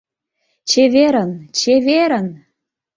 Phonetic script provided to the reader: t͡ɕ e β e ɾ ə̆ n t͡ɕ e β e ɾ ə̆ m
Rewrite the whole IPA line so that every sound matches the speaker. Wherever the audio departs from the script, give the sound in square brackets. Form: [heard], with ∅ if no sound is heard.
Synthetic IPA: t͡ɕ e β e ɾ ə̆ n t͡ɕ e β e ɾ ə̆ [n]